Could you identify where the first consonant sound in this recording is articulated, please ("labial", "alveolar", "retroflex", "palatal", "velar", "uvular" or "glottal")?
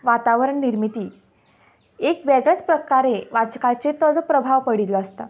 labial